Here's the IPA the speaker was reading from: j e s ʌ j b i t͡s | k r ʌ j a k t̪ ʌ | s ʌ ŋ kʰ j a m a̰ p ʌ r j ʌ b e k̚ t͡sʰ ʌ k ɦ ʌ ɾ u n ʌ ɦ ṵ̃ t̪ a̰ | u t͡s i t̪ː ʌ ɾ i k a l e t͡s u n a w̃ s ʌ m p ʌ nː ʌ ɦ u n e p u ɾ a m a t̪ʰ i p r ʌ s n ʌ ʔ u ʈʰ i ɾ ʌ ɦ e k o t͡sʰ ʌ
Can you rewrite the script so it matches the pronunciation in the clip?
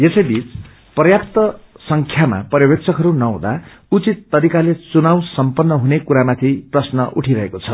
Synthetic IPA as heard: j e s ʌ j b i t͡s | p r ʌ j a k t̪ ʌ | s ʌ ŋ kʰ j a m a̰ p ʌ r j ʌ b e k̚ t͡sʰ ʌ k ɦ ʌ ɾ u n ʌ ɦ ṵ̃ d̪ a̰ | u t͡s i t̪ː ʌ ɾ i k a l e t͡s u n a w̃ s ʌ m p ʌ nː ʌ ɦ u n e k u ɾ a m a t̪ʰ i p r ʌ s n ʌ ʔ u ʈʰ i ɾ ʌ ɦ e k o t͡sʰ ʌ